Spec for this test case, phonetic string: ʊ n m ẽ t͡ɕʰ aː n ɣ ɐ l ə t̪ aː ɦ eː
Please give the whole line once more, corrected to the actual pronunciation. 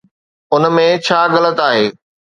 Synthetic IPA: ʊ n m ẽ t͡ɕʰ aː ɣ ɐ l ə t̪ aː ɦ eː